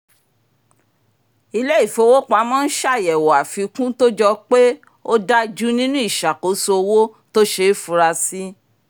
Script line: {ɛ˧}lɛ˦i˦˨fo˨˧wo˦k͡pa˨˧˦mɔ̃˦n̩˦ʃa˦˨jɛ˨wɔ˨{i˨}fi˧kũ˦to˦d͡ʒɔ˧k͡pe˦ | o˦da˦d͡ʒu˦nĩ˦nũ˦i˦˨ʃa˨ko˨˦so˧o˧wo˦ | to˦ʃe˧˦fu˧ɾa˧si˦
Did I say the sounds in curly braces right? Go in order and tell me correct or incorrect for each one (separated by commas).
incorrect, incorrect